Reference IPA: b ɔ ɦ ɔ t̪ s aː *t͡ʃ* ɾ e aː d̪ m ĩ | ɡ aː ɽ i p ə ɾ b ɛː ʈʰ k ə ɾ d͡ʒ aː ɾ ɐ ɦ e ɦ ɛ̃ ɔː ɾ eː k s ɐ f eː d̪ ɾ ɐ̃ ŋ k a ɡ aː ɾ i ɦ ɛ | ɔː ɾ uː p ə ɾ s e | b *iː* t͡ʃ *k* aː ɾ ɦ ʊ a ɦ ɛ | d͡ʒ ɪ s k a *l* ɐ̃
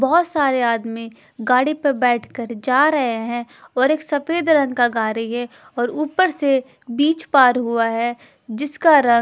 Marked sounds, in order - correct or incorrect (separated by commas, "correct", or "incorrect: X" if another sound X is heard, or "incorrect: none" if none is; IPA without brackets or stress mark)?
incorrect: none, correct, incorrect: p, incorrect: ɾ